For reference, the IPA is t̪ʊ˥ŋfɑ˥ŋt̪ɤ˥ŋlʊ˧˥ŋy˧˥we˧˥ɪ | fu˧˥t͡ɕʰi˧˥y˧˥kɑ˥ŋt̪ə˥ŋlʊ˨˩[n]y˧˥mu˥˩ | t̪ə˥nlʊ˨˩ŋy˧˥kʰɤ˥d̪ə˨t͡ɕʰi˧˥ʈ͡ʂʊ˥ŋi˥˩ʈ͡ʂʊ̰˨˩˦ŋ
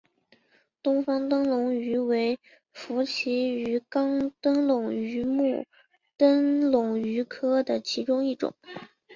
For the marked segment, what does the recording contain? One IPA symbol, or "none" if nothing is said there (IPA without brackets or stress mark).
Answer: ŋ